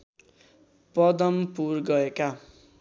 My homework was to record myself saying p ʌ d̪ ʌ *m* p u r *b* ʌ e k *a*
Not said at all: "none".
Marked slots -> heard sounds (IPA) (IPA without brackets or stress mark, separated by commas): m, ɡ, a